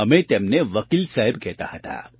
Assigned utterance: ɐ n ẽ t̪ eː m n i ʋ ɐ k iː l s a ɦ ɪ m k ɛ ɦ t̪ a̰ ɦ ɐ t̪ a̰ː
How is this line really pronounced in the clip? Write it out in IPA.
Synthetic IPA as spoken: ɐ m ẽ t̪ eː m n e ʋ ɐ k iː l s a ɦ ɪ b k ɛ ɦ t̪ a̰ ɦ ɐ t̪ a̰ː